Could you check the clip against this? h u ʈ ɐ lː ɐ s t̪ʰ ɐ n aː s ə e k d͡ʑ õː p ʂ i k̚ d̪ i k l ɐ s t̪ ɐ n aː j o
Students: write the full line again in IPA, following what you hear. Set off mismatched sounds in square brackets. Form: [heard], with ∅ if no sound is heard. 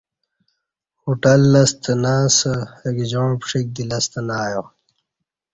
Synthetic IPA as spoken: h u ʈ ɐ lː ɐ s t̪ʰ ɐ n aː s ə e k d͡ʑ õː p ʂ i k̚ d̪ i [∅] l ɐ s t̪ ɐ n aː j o

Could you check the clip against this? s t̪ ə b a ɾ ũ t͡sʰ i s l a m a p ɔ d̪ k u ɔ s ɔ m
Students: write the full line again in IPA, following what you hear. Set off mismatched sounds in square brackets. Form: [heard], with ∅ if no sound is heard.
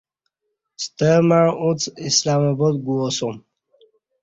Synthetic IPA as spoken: s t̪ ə [m] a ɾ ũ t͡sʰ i s l a m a [b] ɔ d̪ [ɡ] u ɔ s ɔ m

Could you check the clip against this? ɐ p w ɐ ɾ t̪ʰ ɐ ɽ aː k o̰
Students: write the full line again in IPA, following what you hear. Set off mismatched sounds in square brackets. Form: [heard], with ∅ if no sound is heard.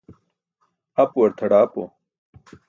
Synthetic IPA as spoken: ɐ p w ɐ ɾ t̪ʰ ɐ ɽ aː [p] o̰

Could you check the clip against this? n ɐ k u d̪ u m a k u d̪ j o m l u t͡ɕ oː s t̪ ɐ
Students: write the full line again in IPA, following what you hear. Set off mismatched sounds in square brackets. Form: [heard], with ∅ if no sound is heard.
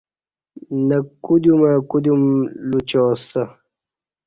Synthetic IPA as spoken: n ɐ k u d̪ u m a k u d̪ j [u] m l u t͡ɕ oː s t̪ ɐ

